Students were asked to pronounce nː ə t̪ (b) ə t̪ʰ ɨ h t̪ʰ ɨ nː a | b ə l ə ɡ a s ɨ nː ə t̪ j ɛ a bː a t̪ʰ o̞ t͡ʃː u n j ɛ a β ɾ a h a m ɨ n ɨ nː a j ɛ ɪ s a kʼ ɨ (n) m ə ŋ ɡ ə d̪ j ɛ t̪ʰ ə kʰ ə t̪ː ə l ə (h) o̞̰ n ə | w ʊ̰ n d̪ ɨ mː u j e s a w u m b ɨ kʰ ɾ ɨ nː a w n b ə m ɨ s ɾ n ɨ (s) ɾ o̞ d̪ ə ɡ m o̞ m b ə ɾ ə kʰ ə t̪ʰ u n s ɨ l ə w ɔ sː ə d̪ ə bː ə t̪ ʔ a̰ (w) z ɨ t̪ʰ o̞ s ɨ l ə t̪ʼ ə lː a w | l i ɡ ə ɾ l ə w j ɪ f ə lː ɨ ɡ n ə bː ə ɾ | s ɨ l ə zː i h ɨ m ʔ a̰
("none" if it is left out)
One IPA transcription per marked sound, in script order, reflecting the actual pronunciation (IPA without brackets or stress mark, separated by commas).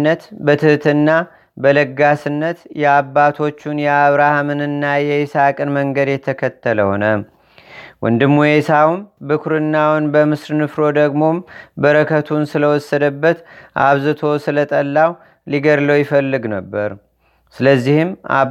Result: b, n, h, f, β